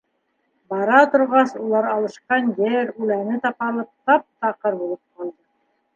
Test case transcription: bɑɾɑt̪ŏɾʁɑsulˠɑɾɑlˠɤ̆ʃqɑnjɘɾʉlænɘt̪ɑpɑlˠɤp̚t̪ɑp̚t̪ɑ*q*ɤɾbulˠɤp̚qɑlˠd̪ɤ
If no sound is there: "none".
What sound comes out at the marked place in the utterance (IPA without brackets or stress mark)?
q